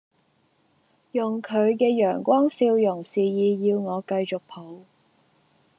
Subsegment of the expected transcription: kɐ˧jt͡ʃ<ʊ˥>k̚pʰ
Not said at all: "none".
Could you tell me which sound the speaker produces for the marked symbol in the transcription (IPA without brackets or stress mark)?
ʊ˨